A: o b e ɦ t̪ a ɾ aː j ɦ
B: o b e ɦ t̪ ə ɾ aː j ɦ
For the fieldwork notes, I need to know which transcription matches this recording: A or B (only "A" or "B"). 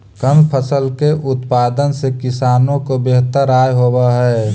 B